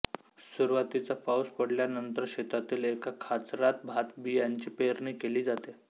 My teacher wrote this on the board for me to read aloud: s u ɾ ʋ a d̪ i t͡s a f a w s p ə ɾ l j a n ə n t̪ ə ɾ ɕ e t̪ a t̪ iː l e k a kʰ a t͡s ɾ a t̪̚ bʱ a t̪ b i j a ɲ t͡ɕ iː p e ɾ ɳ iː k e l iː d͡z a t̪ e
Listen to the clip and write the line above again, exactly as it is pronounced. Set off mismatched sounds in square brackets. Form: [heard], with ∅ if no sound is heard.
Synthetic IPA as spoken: s u ɾ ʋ a [t̪] i t͡s a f a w s p ə [ɽ] l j a n ə n t̪ ə ɾ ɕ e t̪ a t̪ iː l e k a kʰ a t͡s ɾ a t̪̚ bʱ a t̪ b i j a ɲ t͡ɕ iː p e ɾ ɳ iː k e l iː d͡z a t̪ e